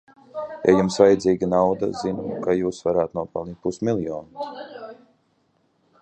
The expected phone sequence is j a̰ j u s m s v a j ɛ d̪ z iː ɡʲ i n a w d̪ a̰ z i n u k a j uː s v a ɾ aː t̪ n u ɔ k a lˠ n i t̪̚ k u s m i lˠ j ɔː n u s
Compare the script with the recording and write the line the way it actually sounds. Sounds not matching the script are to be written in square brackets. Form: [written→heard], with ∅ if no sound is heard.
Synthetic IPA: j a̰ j u [s→∅] m s v a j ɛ d̪ z iː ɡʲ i n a w d̪ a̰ z i n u k a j uː s v a ɾ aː t̪ n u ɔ [k→p] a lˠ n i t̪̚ [k→p] u s m i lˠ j ɔː n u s